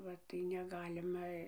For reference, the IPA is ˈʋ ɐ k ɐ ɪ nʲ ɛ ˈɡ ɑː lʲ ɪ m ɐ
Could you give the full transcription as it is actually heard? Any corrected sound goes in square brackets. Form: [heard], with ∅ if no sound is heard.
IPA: ˈʋ ɐ [t] ɐ ɪ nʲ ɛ ˈɡ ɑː lʲ ɪ m ɐ